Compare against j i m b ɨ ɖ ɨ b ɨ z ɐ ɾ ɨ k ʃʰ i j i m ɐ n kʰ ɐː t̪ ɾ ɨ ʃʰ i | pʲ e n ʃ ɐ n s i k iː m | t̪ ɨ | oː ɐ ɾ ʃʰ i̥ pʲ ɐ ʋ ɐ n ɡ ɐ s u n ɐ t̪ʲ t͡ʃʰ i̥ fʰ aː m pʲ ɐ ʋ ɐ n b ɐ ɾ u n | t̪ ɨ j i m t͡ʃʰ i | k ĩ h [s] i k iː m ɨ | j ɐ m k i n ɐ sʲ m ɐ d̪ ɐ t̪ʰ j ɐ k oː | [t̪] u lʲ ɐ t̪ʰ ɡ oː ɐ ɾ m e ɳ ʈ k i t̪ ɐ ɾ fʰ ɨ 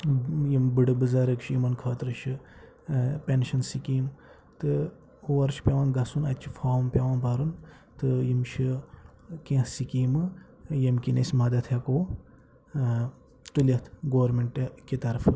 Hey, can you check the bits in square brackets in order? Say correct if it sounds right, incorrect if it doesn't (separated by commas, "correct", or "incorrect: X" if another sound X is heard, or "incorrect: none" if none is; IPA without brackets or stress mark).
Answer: correct, correct